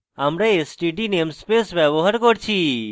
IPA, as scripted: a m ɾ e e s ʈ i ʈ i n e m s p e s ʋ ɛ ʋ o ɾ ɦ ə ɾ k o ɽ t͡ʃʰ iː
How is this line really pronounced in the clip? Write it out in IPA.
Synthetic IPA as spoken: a m ɾ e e s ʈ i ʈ i n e m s p e s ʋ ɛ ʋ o ɦ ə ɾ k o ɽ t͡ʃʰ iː